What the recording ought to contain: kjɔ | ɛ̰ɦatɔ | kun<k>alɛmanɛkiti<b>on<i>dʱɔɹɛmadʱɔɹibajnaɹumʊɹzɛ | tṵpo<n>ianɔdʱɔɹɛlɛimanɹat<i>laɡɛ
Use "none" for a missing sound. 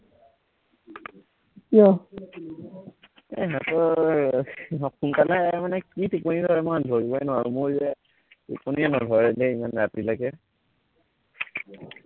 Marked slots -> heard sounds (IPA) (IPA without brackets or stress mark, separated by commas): k, p, i, n, i